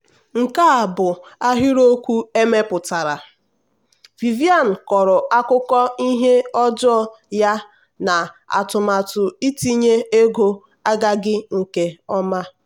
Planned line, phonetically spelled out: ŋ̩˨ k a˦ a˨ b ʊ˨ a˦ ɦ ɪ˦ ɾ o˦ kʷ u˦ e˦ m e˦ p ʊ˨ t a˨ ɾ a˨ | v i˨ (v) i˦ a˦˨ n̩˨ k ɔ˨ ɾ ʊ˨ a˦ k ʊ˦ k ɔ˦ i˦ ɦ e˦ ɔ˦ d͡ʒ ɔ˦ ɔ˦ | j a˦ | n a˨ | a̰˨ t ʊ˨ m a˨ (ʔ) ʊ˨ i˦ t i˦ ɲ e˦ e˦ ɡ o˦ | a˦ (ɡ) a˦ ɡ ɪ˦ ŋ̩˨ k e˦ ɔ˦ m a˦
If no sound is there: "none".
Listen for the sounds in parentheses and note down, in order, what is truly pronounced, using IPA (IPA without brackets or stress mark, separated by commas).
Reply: v, t, ɡ